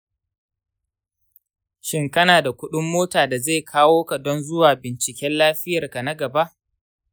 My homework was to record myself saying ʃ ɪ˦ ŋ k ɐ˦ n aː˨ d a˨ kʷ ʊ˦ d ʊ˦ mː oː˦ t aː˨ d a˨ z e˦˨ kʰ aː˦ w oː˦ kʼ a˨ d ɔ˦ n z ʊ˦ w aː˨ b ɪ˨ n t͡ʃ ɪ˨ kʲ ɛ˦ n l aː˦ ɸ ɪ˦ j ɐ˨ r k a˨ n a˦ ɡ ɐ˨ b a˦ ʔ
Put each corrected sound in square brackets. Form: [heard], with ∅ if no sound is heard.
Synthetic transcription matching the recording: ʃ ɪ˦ ŋ k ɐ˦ n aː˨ d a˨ kʷ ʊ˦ [ɗ] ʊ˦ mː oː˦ t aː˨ d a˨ z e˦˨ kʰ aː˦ w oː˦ [k] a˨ d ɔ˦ n z ʊ˦ w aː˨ b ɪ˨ n t͡ʃ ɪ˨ kʲ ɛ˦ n l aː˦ ɸ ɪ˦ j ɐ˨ r k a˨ n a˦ ɡ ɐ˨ b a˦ ʔ

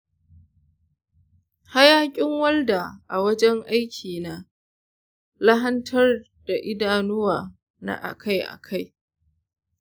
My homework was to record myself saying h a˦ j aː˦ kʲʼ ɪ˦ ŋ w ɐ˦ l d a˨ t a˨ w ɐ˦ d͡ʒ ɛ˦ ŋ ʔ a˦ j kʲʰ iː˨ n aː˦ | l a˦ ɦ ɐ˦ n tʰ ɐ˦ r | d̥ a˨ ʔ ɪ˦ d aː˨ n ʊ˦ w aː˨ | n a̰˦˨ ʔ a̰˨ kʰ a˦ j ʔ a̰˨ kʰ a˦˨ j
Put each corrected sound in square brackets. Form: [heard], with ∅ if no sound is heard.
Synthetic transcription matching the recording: h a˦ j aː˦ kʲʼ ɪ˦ ŋ w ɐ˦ l d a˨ [ʔ] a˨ w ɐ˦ d͡ʒ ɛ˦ ŋ ʔ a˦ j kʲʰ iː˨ n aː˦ | l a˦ ɦ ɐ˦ n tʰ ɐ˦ r | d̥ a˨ ʔ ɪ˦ d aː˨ n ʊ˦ w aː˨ | n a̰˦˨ ʔ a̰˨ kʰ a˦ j ʔ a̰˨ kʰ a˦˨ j

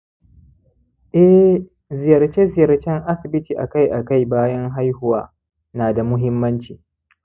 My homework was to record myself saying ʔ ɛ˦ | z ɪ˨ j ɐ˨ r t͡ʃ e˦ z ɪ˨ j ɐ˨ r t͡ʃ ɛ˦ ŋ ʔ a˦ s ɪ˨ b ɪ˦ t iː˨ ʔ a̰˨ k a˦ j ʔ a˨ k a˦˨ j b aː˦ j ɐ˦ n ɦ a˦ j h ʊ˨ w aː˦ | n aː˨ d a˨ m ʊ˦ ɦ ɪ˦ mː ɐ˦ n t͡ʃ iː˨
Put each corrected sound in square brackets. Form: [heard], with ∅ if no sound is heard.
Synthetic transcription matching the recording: ʔ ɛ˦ | z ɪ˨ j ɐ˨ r t͡ʃ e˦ z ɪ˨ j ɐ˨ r t͡ʃ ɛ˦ ŋ ʔ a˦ s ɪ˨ b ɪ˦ t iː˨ ʔ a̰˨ k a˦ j ʔ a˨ k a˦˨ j b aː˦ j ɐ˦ [ŋ] ɦ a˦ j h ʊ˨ w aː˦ | n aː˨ d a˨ m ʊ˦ ɦ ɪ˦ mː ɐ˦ n t͡ʃ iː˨

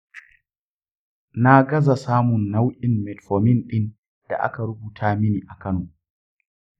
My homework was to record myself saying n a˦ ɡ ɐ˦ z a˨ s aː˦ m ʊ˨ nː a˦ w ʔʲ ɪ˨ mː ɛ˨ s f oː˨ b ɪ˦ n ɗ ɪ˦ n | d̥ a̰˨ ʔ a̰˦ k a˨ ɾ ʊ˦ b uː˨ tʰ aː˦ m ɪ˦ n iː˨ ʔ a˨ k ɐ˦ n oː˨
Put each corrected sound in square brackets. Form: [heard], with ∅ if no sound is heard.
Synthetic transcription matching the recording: n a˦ ɡ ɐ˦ z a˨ s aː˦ m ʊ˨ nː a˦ w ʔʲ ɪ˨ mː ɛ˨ [t] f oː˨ [m] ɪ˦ n ɗ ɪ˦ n | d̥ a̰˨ ʔ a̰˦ k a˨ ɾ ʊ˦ b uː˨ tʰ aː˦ m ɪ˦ n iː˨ ʔ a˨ k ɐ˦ n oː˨

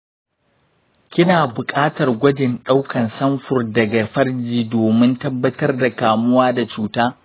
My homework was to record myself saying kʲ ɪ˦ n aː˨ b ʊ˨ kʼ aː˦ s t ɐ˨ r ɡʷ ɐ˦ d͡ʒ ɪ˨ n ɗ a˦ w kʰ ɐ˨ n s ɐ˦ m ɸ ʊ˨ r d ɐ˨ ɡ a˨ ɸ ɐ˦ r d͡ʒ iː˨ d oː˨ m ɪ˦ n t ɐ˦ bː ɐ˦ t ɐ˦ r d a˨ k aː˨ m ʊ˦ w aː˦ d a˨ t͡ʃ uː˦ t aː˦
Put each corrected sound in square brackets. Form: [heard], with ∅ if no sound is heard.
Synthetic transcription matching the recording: kʲ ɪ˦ n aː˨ b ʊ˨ kʼ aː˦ [∅] t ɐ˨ r ɡʷ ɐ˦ d͡ʒ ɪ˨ n ɗ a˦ w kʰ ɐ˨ n s ɐ˦ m ɸ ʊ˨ r d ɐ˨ ɡ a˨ ɸ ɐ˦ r d͡ʒ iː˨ d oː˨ m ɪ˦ n t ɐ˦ bː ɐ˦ t ɐ˦ r d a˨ k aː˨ m ʊ˦ w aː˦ d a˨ t͡ʃ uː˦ t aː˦

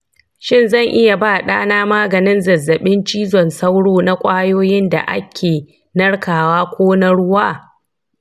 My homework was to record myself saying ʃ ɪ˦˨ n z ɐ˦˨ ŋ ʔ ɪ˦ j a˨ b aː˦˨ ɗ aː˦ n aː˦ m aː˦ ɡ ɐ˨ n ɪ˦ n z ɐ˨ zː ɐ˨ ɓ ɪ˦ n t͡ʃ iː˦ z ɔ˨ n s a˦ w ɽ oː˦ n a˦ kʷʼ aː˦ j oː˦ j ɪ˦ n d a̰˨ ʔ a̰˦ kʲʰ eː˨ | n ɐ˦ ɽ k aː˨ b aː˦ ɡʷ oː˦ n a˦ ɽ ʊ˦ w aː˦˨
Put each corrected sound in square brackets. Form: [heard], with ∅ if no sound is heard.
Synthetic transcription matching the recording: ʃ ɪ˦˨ n z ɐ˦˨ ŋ ʔ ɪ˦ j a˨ b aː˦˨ ɗ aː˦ n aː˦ m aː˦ ɡ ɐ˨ n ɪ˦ n z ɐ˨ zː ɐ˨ ɓ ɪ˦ n t͡ʃ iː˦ z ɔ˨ n s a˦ w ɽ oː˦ n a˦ kʷʼ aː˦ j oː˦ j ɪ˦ n d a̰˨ ʔ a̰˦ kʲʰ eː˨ | n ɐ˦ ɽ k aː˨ [w] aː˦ [kʷ] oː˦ n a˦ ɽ ʊ˦ w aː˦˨

